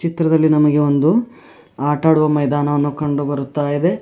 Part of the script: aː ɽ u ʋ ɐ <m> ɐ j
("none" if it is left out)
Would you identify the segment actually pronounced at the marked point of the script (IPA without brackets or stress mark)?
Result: m